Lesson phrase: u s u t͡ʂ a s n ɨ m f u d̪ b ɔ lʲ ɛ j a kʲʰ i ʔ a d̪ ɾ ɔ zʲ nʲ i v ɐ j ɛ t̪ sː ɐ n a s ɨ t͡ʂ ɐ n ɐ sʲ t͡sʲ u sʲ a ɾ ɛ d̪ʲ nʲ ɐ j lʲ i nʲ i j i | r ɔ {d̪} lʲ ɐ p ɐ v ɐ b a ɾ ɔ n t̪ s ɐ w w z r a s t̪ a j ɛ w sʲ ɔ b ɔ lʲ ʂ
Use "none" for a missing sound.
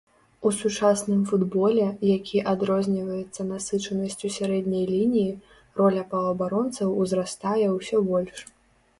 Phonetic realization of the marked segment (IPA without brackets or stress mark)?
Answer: none